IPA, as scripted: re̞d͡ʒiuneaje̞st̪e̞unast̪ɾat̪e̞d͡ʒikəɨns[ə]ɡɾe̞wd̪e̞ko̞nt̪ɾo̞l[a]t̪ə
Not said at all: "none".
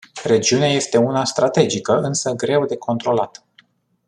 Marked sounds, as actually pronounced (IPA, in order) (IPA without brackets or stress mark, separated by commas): ə, a